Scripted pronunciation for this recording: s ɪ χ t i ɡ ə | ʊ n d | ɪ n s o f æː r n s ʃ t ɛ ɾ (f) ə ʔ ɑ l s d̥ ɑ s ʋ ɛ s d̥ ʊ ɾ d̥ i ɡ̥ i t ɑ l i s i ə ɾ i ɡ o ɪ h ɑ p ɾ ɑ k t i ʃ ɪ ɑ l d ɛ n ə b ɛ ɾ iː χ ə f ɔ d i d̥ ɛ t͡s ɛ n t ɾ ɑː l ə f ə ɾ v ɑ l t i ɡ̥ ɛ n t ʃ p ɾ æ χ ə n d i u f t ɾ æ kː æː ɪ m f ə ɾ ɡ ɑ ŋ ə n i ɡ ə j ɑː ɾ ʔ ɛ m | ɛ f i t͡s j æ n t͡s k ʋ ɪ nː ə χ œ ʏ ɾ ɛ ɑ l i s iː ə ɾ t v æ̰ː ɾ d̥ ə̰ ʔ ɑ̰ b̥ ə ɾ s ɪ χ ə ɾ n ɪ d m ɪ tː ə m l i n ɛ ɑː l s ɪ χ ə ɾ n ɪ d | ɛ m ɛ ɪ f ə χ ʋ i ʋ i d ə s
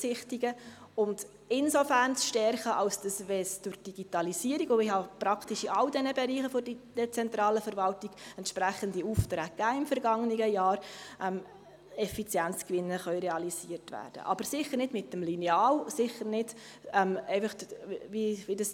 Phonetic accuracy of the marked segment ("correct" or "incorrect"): incorrect